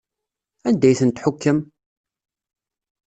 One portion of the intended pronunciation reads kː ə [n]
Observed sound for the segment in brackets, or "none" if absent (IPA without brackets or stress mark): m